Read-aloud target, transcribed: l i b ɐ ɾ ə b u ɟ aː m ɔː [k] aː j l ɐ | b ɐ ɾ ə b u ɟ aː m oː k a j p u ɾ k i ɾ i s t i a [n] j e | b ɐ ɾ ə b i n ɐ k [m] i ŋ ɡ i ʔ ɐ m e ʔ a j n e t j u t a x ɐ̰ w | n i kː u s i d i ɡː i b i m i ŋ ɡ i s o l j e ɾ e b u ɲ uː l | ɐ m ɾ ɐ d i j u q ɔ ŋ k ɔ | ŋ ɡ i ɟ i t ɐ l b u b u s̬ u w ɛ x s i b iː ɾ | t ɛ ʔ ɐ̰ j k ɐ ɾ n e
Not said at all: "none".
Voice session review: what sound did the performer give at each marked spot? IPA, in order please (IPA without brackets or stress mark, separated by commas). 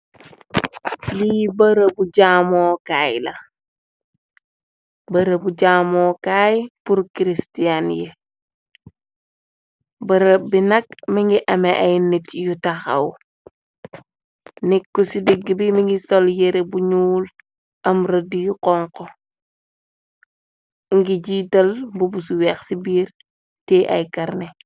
k, n, m